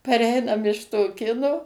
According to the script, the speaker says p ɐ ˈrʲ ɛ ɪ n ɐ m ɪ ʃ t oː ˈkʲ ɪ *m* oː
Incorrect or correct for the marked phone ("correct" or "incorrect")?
incorrect